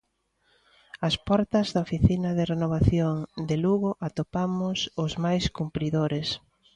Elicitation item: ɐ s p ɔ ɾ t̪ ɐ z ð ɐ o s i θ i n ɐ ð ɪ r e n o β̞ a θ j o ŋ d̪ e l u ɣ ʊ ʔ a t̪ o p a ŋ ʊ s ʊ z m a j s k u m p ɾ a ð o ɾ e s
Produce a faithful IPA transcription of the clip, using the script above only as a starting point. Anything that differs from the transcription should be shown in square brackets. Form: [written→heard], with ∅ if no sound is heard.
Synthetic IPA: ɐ s p ɔ ɾ t̪ ɐ z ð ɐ o [s→f] i θ i n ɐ ð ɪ r e n o β̞ a θ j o ŋ d̪ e l u ɣ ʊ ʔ a t̪ o p a [ŋ→m] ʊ s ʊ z m a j s k u m p ɾ [a→i] ð o ɾ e s